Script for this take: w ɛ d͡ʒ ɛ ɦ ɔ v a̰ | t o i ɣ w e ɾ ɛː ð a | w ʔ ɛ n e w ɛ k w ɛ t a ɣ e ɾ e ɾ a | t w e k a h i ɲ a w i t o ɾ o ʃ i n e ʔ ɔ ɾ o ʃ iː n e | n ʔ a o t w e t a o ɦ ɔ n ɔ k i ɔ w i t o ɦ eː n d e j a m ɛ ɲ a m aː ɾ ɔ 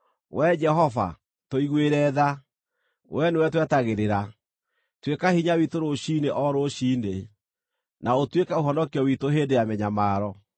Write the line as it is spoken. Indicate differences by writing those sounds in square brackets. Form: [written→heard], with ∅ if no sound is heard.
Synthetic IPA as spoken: w ɛ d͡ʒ ɛ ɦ ɔ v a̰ | t o i ɣ w e ɾ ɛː ð a | w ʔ ɛ n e w ɛ [k→t] w ɛ t a ɣ e ɾ e ɾ a | t w e k a h i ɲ a w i t o ɾ o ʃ i n e ʔ ɔ ɾ o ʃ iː n e | n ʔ a o t w e [t→k] a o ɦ ɔ n ɔ k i ɔ w i t o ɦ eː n d e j a m ɛ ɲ a m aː ɾ ɔ